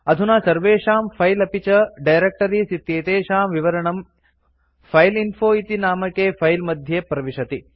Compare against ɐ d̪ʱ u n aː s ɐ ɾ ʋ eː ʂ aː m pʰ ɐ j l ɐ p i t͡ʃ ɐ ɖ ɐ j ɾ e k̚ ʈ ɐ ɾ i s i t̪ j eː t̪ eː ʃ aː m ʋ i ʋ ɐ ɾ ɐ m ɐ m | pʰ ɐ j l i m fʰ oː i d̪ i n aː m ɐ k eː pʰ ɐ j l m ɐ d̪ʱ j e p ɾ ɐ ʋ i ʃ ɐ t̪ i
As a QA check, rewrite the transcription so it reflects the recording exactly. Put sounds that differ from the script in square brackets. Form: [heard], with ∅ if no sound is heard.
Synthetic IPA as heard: ɐ d̪ʱ u n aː s ɐ ɾ ʋ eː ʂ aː m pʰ ɐ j l ɐ p i t͡ʃ ɐ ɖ ɐ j ɾ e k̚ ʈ ɐ ɾ i s i t̪ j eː t̪ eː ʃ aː m ʋ i ʋ ɐ ɾ ɐ [ɳ] ɐ m | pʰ ɐ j l i [n] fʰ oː i [t̪] i n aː m ɐ k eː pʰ ɐ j l m ɐ d̪ʱ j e p ɾ ɐ ʋ i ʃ ɐ t̪ i